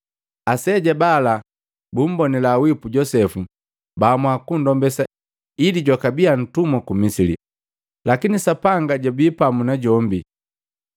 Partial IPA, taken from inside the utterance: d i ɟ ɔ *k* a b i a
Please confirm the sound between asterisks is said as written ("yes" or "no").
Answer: yes